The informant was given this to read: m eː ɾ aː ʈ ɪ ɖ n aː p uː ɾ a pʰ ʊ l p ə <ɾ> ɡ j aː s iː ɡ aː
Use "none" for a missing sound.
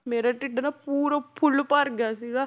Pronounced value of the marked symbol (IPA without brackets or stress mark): ɾ